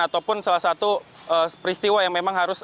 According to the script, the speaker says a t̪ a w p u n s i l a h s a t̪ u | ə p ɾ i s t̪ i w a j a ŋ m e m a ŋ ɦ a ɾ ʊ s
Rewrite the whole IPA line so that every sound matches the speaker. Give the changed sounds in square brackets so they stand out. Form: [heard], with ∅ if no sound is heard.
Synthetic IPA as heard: a t̪ a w p [ʊ] n s [a] l a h s a t̪ u | ə p ɾ i s t̪ i w a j a ŋ m e m a ŋ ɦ a ɾ ʊ s